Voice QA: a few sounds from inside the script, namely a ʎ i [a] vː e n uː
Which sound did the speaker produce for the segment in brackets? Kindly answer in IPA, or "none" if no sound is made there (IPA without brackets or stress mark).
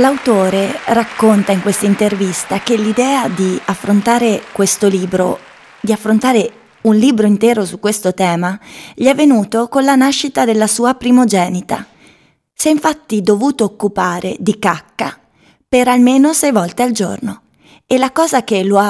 ɛ